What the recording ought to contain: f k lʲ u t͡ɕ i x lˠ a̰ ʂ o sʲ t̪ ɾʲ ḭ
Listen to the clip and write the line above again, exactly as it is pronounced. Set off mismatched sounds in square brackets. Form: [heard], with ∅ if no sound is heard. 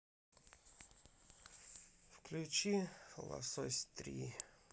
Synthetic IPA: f k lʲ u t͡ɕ i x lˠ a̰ [s] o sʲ t̪ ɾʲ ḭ